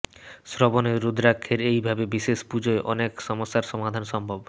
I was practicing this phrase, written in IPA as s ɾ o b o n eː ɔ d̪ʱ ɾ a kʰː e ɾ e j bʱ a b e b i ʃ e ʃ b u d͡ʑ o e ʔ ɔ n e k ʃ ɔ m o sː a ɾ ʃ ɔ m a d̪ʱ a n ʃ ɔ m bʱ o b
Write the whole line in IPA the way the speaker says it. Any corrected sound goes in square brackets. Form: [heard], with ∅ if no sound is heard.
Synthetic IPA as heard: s ɾ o b o n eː [u] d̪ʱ ɾ a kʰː e ɾ e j bʱ a b e b i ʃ e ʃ [p] u d͡ʑ o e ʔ ɔ n e k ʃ ɔ m o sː a ɾ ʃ ɔ m a d̪ʱ a n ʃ ɔ m bʱ o b